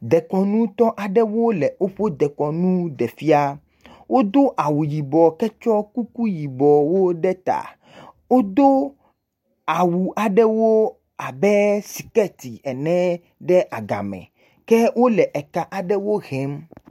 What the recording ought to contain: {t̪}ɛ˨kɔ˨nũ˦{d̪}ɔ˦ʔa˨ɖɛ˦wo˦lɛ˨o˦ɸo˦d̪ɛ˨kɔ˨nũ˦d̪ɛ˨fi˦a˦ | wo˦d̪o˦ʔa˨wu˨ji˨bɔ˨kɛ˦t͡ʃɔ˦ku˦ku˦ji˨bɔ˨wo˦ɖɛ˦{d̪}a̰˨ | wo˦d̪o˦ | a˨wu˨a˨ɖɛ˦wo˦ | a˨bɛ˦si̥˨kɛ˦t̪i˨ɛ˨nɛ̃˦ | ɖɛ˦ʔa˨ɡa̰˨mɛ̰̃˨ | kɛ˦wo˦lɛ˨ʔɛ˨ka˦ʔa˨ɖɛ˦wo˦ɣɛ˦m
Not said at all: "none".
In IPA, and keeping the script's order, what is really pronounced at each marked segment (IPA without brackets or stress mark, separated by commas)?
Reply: d̪, t̪, t̪